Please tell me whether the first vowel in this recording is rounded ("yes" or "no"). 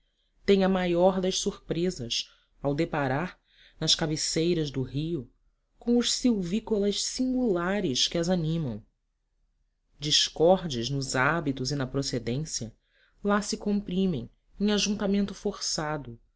no